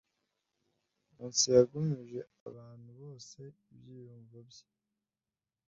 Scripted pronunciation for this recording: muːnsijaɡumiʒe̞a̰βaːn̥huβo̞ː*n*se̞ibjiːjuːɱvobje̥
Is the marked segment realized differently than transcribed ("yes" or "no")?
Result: yes